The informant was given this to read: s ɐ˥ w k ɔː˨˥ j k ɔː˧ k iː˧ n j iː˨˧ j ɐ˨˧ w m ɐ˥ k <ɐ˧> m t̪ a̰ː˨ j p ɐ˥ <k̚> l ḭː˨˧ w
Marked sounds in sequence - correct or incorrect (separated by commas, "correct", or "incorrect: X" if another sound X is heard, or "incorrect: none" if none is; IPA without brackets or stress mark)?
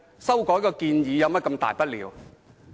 correct, incorrect: t̚